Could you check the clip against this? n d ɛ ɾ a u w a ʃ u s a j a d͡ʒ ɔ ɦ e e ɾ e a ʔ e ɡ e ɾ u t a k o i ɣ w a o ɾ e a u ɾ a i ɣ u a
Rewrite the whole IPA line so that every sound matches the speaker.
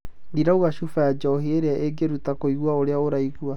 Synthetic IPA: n d i ɾ a u ɣ a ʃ u f a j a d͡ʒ ɔ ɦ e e ɾ e a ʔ e ɡ e ɾ u t a k o i ɣ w a o ɾ e a o ɾ a i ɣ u a